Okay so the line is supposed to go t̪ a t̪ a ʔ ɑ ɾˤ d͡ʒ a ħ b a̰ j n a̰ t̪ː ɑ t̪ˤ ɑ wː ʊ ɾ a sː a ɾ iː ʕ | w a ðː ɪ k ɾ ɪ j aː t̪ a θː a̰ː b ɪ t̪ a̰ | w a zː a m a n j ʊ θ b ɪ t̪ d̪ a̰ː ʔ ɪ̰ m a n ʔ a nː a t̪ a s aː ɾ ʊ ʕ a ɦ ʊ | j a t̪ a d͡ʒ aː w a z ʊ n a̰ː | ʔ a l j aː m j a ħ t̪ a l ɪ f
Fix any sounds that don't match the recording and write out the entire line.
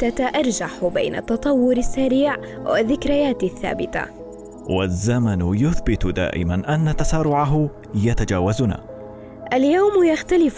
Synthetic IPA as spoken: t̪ a t̪ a ʔ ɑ ɾˤ d͡ʒ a ħ b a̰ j n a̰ t̪ː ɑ t̪ˤ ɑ wː ʊ ɾ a sː a ɾ iː ʕ | w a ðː ɪ k ɾ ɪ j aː t̪ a θː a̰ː b ɪ t̪ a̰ | w a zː a m a n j ʊ θ b ɪ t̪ d̪ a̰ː ʔ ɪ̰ m a n ʔ a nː a t̪ a s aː ɾ ʊ ʕ a ɦ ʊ | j a t̪ a d͡ʒ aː w a z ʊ n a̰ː | ʔ a l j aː m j a x t̪ a l ɪ f